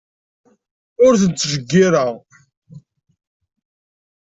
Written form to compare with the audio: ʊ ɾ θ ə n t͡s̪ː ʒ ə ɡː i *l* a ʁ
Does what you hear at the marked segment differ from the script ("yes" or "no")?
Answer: yes